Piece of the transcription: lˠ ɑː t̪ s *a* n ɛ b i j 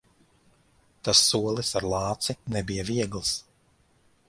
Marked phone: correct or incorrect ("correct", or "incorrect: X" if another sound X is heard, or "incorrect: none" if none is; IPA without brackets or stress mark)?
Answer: incorrect: i